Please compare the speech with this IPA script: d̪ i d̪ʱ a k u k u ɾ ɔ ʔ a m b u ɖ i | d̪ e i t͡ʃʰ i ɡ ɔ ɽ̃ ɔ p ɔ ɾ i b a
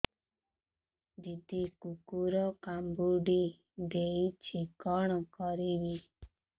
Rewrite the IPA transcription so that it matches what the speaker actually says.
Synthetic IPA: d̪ i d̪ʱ i k u k u ɾ ɔ k a m b u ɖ i | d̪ e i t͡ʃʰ i k ɔ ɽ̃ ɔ k ɔ ɾ i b i